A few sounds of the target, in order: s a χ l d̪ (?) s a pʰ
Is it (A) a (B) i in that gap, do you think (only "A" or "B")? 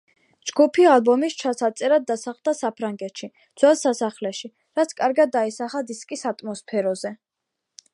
A